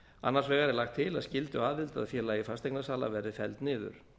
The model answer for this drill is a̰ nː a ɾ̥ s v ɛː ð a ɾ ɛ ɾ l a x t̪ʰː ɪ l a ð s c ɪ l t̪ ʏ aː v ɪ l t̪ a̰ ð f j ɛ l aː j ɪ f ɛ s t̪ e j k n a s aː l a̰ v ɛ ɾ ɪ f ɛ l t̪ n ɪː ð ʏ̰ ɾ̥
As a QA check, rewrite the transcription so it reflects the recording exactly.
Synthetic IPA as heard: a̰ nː a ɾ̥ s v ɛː ɣ a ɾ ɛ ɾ l a x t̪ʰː ɪ l a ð s c ɪ l t̪ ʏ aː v ɪ l t̪ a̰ ð f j ɛ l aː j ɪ f a s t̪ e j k n a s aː l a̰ v ɛ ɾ ɪ f ɛ l t̪ n ɪː ð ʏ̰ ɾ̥